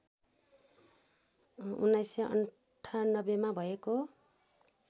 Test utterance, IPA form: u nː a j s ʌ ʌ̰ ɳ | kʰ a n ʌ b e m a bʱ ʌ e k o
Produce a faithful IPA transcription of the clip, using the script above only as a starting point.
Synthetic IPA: u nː a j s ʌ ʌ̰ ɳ | ʈʰ a n ʌ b e m a bʱ ʌ e k o